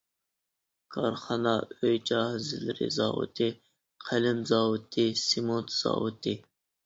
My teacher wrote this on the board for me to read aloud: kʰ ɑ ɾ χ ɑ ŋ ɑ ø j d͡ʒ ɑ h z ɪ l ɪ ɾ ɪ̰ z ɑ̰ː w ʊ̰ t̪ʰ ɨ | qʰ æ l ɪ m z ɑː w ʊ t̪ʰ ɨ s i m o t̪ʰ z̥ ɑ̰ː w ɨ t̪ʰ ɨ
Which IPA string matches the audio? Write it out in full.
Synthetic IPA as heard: kʰ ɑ ɾ χ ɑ n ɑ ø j d͡ʒ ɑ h z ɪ l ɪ ɾ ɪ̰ z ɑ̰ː w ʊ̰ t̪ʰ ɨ | qʰ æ l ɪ m z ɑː w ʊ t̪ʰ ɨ s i m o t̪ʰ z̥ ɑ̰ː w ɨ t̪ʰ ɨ